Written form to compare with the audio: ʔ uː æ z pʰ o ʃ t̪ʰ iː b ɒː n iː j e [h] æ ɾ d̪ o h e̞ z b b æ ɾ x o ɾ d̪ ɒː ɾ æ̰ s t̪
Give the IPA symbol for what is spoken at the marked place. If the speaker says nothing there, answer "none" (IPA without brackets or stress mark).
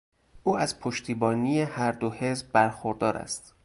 h